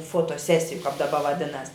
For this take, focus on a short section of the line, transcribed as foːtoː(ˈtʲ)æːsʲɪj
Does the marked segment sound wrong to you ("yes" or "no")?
yes